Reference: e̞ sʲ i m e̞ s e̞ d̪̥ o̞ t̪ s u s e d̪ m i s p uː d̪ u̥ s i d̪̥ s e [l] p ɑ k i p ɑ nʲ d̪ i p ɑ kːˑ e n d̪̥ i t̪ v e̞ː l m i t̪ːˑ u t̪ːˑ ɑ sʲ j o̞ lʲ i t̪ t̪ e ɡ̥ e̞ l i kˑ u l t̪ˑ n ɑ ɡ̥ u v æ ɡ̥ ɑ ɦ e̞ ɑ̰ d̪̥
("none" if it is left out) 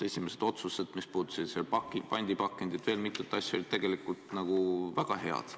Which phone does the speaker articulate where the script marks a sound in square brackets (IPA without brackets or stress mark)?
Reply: l